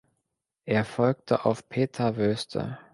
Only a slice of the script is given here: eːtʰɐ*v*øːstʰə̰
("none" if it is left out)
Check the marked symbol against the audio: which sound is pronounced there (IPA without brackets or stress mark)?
v